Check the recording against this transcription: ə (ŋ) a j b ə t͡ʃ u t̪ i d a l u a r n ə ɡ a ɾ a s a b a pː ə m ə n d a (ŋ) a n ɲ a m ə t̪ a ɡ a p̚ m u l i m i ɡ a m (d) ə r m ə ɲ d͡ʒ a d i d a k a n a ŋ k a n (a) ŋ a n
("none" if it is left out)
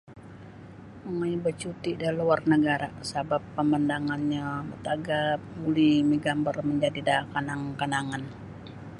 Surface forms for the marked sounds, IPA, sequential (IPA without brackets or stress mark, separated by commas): ŋ, ŋ, b, a